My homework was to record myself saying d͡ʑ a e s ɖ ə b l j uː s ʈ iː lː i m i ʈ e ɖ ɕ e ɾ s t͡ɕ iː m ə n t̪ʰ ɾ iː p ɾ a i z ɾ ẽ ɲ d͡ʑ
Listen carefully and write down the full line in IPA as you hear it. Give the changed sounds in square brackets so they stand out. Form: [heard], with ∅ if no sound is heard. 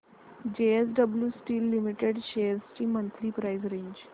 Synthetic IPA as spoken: d͡ʑ [e] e s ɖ ə b l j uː s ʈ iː lː i m i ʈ e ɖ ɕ e ɾ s t͡ɕ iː m ə n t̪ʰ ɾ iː p ɾ a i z ɾ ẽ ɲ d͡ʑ